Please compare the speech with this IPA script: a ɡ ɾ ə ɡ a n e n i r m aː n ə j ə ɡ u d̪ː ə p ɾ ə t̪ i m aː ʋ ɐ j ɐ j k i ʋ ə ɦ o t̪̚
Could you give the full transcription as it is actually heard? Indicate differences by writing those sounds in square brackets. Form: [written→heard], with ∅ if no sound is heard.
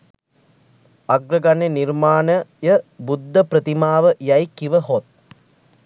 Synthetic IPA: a ɡ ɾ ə ɡ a n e n i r m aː n ə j ə [ɡ→b] u d̪ː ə p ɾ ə t̪ i m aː ʋ [ɐ→ə] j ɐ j k i ʋ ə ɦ o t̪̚